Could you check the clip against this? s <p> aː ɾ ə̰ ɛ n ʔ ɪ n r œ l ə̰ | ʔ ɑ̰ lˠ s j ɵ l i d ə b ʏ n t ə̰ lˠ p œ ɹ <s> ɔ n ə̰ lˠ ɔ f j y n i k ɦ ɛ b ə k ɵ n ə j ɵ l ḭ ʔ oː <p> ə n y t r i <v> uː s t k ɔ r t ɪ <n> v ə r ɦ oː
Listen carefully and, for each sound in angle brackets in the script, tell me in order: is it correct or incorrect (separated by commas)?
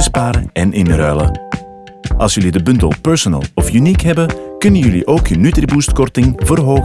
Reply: correct, correct, incorrect, incorrect, incorrect